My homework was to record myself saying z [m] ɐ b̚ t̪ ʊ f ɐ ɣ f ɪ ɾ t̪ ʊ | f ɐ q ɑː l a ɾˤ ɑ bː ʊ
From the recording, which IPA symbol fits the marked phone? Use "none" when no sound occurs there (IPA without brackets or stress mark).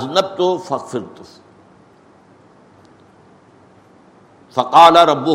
n